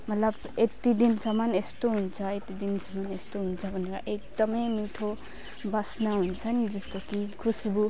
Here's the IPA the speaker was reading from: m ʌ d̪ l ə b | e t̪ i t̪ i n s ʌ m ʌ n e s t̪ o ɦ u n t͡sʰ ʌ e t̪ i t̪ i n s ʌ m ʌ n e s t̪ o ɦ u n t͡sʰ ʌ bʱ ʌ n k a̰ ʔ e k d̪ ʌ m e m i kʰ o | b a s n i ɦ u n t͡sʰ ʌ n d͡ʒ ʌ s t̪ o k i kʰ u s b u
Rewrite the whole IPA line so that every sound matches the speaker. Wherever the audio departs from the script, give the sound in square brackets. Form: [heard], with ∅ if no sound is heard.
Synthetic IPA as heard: m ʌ [t̪] l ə b | e t̪ i [d̪] i n s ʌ m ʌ n e s t̪ o ɦ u n t͡sʰ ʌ e t̪ i [d̪] i n s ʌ m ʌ n e s t̪ o ɦ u n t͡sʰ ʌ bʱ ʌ n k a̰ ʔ e k d̪ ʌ m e m i [ʈʰ] o | b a s n [a] ɦ u n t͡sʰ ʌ n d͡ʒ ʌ s t̪ o k i kʰ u s b u